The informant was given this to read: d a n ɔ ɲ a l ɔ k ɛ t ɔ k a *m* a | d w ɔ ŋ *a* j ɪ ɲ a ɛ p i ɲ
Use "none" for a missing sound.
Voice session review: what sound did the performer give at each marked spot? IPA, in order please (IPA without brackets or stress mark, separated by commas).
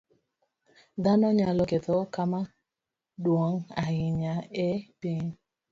m, a